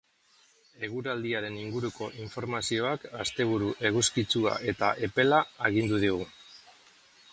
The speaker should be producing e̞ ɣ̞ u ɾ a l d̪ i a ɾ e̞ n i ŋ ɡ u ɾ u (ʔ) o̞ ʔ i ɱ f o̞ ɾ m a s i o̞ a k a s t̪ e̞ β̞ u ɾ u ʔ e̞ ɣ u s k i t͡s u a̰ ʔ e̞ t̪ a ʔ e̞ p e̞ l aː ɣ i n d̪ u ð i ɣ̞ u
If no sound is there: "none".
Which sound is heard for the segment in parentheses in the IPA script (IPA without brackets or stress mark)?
k